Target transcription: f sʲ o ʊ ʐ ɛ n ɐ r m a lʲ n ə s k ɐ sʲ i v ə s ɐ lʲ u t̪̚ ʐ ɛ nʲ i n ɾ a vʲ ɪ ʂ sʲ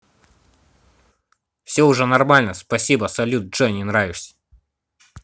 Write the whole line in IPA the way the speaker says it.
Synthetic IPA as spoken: f sʲ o ʊ ʐ ɛ n ɐ r m a lʲ n ə s p ɐ sʲ i b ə s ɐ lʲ u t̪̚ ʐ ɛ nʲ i n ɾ a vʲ ɪ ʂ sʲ